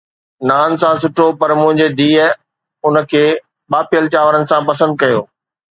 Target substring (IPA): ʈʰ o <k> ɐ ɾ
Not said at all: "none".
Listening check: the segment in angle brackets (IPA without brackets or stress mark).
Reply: p